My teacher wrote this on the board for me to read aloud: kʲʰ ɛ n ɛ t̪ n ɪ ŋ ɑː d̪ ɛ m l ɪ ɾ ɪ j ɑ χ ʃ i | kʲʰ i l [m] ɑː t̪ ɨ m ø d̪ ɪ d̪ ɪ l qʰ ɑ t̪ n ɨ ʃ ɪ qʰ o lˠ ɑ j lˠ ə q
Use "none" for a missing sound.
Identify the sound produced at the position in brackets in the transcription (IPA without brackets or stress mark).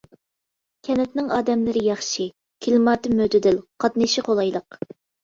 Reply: m